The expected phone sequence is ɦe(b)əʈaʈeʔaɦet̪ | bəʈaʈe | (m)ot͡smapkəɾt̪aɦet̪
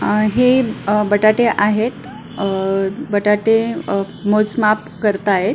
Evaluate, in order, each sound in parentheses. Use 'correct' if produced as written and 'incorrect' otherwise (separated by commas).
correct, correct